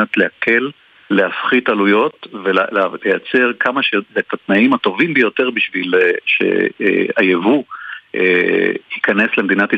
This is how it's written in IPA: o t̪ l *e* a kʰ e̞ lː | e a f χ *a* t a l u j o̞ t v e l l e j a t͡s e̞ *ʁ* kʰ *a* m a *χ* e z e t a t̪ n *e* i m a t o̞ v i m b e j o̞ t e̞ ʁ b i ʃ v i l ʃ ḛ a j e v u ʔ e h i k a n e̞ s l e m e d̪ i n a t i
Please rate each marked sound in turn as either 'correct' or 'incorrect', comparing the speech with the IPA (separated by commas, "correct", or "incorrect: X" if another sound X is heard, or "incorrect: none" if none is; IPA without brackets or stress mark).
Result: correct, incorrect: i, correct, correct, incorrect: ʃ, incorrect: a